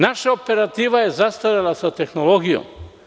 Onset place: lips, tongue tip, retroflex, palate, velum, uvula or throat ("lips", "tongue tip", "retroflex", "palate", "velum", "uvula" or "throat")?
tongue tip